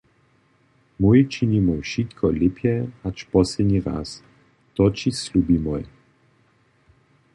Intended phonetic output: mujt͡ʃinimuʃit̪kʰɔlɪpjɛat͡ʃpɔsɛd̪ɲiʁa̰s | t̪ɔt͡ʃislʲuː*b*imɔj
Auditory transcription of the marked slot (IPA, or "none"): b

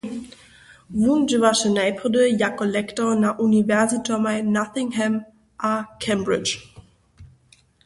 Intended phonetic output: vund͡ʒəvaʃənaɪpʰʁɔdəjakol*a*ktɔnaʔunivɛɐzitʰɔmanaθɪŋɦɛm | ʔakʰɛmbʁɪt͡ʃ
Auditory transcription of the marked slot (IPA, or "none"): ɛ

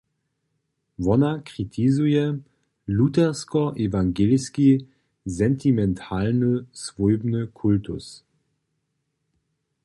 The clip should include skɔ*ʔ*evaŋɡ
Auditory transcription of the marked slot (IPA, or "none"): ʔ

